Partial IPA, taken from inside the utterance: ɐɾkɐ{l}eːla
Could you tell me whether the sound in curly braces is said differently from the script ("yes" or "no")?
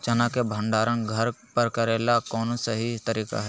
yes